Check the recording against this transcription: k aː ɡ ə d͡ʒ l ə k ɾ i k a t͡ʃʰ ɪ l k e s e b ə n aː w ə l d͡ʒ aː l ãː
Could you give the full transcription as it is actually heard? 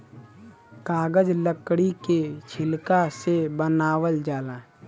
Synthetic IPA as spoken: k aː ɡ ə d͡ʒ l ə k ɽ i k e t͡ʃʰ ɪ l k a s e b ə n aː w ə l d͡ʒ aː l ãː